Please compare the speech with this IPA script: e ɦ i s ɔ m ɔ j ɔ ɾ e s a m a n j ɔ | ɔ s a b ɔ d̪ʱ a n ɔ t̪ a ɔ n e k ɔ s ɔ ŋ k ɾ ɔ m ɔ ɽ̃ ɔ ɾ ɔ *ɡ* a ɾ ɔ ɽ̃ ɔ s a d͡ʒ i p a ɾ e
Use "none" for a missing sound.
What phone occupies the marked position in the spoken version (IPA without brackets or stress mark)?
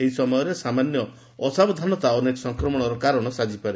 k